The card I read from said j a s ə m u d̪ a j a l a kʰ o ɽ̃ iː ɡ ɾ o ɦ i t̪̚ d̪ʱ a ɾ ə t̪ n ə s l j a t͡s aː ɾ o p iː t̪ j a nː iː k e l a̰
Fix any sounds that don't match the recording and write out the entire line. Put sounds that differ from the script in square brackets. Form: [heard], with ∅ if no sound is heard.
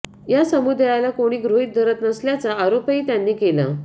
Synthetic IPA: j a s ə m u d̪ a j a l a [k] o ɽ̃ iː ɡ ɾ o ɦ i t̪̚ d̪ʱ [ə] ɾ ə t̪ n ə s l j a t͡s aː ɾ o p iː t̪ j a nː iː k e l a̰